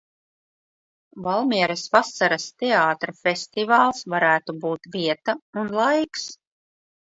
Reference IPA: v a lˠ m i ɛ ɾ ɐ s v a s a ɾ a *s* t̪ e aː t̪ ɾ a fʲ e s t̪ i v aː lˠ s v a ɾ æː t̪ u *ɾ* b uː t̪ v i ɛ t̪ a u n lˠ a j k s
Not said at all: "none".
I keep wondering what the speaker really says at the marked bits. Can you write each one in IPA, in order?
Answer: s, none

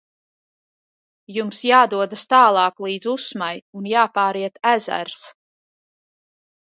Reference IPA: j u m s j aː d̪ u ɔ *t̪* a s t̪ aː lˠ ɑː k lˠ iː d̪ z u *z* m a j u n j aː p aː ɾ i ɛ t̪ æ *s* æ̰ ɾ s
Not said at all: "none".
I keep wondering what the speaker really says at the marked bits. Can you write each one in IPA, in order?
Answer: d̪, s, z

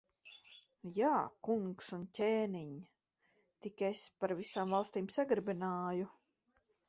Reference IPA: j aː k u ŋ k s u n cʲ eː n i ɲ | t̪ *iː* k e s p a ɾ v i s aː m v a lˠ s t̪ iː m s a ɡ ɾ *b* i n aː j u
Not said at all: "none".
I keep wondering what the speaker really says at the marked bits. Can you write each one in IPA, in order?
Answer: i, b

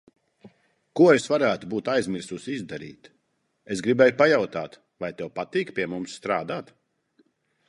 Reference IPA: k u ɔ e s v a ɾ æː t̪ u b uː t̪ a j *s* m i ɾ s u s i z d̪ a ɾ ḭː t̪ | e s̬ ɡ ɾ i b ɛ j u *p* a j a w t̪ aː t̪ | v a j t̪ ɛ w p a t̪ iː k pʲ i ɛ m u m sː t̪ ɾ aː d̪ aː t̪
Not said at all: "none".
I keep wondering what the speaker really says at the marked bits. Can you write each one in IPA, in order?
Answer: z, p

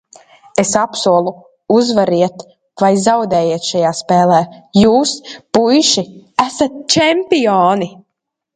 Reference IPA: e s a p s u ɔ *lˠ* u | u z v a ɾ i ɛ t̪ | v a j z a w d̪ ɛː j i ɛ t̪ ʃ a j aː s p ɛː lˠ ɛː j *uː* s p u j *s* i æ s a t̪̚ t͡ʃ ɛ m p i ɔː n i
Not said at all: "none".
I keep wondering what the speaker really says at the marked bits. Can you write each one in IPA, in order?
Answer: lˠ, uː, ʃ

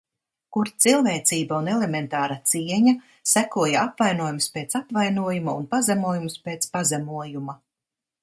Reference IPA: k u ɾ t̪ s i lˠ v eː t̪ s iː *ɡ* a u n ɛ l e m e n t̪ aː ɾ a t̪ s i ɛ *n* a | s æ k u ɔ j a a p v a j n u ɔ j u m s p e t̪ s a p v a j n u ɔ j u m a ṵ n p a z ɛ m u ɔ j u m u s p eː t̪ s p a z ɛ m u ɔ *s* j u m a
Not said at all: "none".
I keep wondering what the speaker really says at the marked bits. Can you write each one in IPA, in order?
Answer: b, ɲ, none

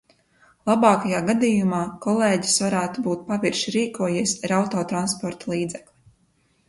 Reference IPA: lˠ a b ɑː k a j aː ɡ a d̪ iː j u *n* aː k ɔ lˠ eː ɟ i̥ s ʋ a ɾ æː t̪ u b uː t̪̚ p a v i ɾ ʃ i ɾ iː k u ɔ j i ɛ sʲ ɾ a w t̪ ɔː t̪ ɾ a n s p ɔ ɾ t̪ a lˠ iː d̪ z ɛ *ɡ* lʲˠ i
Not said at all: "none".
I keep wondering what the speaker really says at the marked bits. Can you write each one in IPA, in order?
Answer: m, k

